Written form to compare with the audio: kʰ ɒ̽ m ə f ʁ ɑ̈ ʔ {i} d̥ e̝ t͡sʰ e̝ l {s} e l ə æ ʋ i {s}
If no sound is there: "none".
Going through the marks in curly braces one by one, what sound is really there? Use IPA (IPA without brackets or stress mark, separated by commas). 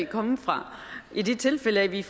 i, f, f